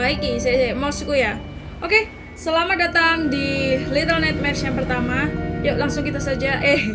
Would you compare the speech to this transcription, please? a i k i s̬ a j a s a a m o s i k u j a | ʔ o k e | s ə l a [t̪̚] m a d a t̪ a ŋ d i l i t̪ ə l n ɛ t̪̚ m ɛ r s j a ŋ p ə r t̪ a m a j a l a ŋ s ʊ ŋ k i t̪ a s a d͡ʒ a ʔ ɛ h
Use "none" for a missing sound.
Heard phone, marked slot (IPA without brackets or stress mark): none